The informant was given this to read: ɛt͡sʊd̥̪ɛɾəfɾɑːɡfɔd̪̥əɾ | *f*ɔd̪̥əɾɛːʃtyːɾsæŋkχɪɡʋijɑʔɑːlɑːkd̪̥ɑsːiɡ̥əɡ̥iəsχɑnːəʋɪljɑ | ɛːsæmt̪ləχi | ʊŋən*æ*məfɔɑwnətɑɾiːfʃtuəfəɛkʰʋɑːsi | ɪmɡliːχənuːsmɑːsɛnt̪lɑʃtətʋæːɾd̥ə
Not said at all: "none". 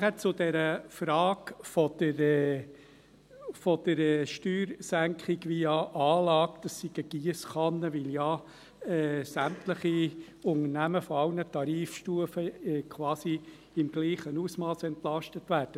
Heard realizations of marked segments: f, æ

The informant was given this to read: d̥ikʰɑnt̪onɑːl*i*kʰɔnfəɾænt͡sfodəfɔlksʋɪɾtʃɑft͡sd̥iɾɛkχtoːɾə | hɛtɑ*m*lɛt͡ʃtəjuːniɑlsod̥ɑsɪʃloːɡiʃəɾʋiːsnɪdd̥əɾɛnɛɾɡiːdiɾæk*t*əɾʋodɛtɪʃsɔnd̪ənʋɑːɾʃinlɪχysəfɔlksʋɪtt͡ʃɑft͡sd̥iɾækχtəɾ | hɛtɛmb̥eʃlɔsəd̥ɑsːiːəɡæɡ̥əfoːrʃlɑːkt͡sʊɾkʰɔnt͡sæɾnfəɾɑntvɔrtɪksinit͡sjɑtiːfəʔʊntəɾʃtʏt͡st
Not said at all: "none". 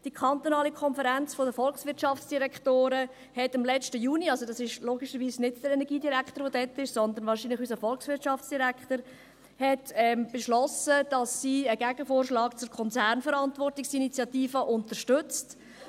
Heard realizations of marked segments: i, m, t

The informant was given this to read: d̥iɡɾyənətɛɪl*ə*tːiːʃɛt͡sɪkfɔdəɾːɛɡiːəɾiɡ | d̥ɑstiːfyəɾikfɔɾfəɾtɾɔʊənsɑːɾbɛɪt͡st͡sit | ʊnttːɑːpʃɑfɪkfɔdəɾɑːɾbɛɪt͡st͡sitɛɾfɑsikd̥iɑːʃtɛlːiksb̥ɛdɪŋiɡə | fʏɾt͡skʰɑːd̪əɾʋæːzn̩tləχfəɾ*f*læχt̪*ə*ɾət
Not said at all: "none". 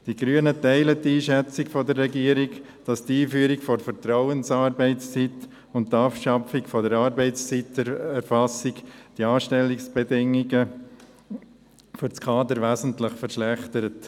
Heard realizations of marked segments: ə, ʃ, ə

